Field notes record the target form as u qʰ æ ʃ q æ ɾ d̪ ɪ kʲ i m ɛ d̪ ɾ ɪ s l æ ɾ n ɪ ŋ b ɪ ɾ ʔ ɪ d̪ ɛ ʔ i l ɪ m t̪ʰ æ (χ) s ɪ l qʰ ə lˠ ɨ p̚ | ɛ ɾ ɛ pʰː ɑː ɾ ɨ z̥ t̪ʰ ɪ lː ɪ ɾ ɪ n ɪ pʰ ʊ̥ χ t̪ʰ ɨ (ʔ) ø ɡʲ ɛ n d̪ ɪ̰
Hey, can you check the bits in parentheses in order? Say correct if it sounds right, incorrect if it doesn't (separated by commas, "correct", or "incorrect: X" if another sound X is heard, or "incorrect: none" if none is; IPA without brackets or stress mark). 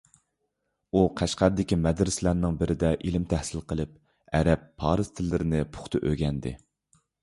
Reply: incorrect: h, correct